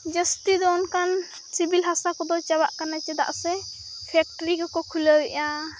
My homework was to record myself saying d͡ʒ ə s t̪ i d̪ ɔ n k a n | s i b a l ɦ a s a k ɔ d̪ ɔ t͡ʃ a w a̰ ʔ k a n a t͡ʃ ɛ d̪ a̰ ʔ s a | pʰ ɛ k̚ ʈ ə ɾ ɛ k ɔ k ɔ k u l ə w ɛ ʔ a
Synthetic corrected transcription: d͡ʒ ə s t̪ i d̪ ɔ n k a n | s i b i l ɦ a s a k ɔ d̪ ɔ t͡ʃ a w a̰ ʔ k a n a t͡ʃ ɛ d̪ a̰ ʔ s ɛ | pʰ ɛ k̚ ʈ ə ɾ i k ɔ k ɔ kʰ u l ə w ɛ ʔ a